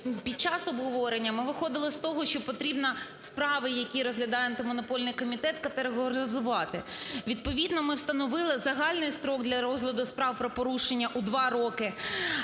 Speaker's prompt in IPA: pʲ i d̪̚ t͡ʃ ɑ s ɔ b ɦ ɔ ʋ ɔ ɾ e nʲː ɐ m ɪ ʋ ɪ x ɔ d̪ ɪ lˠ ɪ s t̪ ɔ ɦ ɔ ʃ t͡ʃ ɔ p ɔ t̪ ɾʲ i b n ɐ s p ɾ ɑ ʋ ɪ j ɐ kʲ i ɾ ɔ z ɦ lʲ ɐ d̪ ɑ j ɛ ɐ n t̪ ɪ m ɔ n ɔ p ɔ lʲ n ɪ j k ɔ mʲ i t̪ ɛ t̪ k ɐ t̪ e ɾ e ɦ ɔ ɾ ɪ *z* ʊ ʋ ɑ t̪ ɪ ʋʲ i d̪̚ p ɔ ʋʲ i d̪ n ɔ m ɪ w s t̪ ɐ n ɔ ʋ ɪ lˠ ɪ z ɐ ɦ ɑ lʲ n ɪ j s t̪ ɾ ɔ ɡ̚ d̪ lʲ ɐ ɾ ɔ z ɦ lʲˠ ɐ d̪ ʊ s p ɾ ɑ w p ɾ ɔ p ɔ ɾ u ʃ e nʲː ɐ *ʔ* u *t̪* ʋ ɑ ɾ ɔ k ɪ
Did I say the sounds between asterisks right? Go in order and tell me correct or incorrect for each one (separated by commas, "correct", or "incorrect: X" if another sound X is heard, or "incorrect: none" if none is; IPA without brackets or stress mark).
correct, correct, incorrect: d̪